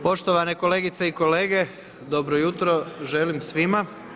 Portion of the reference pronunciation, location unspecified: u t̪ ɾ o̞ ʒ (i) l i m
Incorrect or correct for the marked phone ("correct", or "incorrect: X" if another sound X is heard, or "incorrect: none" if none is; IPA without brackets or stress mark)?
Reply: incorrect: e